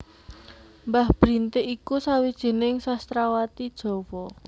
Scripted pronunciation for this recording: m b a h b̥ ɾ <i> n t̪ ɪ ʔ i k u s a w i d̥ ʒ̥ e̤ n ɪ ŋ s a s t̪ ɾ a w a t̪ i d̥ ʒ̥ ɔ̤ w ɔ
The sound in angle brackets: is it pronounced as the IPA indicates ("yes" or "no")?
yes